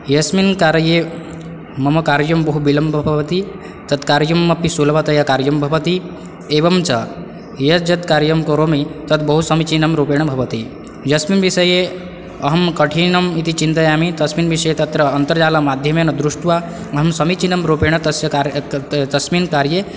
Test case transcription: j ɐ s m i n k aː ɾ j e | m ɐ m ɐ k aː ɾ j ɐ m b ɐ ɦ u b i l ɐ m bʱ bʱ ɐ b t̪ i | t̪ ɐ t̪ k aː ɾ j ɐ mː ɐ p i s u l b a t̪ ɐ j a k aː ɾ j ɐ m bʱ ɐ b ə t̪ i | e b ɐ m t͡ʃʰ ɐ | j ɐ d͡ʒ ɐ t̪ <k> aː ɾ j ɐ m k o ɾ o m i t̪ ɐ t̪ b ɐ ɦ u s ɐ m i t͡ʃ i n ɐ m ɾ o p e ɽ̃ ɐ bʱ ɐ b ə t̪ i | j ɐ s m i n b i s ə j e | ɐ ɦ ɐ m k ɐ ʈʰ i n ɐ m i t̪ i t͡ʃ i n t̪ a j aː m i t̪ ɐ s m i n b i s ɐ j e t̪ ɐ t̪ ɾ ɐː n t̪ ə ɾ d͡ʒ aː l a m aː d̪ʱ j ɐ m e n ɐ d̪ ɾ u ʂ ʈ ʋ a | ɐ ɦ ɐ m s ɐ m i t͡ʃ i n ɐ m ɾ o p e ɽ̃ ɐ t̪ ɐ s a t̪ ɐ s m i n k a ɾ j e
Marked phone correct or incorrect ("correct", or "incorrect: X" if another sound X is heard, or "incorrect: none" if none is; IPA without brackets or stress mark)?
correct